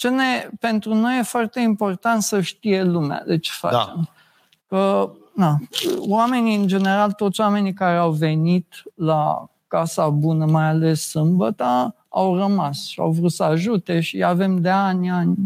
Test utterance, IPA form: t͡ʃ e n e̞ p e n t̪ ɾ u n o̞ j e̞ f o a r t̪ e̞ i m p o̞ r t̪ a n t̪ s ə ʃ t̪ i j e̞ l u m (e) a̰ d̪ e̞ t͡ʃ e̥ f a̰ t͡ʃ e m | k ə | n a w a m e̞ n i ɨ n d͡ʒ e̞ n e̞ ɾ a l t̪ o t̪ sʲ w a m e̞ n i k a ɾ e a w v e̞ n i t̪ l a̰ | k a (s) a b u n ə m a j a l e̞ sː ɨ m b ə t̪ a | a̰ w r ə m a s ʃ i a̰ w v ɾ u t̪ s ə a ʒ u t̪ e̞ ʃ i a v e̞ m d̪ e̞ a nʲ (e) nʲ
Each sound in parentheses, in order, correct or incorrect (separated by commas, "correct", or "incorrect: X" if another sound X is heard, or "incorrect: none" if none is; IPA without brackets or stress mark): correct, correct, incorrect: a